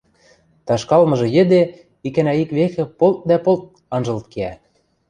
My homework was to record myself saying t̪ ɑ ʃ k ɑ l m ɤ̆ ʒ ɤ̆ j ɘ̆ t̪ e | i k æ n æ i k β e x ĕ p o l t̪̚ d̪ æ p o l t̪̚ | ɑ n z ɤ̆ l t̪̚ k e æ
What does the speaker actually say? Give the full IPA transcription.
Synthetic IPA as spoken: t̪ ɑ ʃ k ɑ l m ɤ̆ ʒ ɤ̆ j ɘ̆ d̪ e | i k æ n æ i k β e x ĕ p o l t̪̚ d̪ æ p o l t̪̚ | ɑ n ʒ ɤ̆ l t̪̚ k e æ